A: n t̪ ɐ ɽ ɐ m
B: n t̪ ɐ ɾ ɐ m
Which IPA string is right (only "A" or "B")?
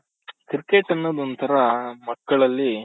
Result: B